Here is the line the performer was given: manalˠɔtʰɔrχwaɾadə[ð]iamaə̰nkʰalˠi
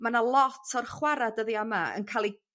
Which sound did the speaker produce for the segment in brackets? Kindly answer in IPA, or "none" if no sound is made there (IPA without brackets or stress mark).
ð